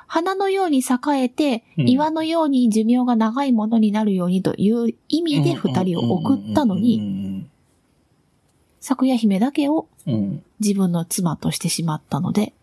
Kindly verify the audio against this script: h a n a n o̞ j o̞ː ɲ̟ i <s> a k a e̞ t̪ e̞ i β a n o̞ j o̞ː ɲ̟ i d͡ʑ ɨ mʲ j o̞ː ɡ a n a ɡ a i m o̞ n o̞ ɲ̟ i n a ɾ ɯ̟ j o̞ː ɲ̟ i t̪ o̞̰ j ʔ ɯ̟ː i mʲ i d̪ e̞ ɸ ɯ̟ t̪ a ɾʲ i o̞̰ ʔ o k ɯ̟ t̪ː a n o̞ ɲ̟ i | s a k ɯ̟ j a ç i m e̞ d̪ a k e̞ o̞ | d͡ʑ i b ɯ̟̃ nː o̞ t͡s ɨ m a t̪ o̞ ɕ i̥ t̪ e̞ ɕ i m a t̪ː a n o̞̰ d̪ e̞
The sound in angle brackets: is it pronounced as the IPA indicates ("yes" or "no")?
yes